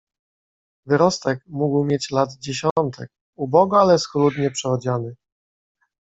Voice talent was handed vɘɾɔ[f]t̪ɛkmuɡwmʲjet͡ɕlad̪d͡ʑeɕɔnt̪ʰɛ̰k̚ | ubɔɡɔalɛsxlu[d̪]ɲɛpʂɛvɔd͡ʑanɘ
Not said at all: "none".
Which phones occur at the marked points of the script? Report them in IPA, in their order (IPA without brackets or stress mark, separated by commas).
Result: s, d̪